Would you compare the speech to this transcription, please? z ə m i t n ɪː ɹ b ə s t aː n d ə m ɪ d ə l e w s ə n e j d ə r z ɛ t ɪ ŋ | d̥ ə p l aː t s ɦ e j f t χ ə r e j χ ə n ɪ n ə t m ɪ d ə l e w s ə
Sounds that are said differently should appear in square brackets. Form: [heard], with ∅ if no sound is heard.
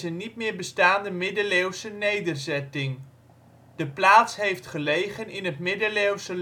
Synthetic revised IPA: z ə [n] i t [m] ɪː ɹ b ə s t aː n d ə m ɪ d ə l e w s ə n e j d ə r z ɛ t ɪ ŋ | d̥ ə p l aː t s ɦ e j f t χ ə [l] e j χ ə n ɪ n ə t m ɪ d ə l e w s ə